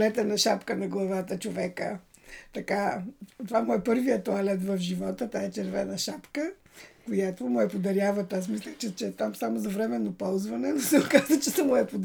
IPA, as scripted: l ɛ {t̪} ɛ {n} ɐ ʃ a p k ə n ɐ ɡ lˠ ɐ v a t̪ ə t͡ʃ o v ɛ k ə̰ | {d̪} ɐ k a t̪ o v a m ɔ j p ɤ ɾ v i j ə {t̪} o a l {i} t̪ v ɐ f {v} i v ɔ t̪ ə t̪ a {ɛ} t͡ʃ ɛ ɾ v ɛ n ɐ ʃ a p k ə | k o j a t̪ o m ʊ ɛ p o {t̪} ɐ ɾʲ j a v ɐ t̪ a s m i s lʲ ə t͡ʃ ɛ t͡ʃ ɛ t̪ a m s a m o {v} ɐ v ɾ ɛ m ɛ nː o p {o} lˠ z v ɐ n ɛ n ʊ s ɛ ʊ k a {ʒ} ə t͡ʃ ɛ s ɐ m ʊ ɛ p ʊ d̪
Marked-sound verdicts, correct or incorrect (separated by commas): correct, correct, incorrect, correct, incorrect, incorrect, correct, incorrect, incorrect, incorrect, incorrect